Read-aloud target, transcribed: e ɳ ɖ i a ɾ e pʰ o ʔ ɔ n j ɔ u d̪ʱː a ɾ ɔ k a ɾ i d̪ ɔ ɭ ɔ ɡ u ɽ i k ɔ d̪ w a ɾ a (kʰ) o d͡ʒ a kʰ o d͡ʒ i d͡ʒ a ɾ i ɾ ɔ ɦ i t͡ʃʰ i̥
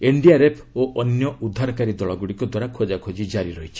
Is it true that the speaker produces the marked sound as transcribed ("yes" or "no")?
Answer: yes